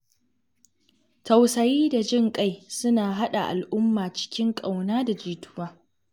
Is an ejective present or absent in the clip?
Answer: present